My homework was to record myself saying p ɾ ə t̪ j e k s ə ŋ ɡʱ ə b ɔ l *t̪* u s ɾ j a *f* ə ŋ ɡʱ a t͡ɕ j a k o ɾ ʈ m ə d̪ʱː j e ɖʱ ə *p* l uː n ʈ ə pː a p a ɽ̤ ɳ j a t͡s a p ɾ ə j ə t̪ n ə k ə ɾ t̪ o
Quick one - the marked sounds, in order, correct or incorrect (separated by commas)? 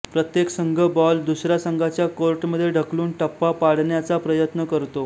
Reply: incorrect, incorrect, incorrect